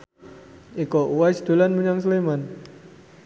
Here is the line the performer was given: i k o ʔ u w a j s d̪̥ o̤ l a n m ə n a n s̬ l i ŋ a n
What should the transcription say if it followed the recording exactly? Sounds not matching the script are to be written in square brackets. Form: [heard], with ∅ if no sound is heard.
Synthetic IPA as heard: i k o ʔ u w a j s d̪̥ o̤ l a n m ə [ɲ] a [ŋ] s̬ l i [m] a n